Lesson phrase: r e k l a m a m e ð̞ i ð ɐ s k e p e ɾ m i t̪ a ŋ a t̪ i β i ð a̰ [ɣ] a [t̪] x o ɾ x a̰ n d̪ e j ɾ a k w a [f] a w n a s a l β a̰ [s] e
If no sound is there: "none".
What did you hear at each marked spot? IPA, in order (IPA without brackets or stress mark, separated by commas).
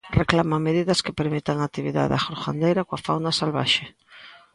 ð, none, f, ʃ